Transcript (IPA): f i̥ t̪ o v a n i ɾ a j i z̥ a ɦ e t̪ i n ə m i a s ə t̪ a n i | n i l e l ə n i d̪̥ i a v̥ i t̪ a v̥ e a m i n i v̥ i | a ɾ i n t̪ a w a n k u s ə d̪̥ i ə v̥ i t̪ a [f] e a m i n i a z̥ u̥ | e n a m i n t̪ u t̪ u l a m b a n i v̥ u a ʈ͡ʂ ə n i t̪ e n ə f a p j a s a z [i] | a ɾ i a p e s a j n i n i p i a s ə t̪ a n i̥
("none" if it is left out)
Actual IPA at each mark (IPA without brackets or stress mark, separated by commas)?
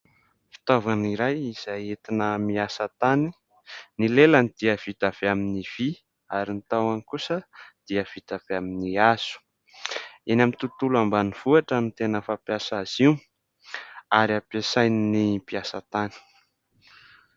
v, i